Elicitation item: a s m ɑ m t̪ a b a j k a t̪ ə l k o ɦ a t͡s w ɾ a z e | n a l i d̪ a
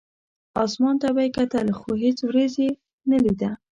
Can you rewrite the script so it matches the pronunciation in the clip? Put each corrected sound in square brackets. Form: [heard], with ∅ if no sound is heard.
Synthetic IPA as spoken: [ɑ] s m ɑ [n] t̪ a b a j k a t̪ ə l [x] o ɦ [e] t͡s w ɾ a z e | n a l i d̪ a